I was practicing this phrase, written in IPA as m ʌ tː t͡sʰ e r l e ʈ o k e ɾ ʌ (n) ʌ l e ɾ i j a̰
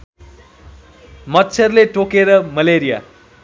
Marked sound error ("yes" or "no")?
yes